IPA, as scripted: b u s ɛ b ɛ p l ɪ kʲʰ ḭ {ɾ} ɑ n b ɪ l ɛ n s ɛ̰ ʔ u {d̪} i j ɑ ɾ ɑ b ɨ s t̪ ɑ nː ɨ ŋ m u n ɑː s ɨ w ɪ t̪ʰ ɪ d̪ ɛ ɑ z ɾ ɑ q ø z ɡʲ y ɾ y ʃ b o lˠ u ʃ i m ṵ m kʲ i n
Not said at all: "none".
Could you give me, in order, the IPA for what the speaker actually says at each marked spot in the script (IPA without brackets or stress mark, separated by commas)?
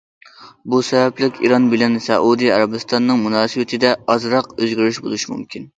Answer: ɾ, d̪